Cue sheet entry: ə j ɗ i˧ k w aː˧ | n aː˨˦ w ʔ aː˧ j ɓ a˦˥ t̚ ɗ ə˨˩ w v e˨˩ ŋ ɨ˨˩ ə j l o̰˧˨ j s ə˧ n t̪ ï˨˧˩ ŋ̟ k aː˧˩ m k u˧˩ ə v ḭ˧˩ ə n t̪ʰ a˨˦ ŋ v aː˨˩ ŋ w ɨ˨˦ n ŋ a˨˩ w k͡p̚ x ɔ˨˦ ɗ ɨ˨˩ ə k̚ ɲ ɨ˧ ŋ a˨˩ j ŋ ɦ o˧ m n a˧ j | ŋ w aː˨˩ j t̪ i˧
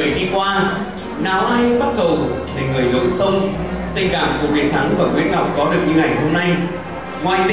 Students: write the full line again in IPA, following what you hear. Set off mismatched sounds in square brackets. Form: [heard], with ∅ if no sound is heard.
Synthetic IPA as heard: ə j ɗ i˧ k w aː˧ | n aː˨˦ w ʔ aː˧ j ɓ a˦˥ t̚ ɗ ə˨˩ w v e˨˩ ŋ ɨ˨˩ ə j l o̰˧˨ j s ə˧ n t̪ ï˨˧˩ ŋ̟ k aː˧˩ m k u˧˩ ə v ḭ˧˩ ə n t̪ʰ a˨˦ ŋ v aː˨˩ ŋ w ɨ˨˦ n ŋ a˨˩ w k͡p̚ [k] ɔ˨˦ ɗ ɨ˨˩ ə k̚ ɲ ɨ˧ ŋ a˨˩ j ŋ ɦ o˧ m n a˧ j | ŋ w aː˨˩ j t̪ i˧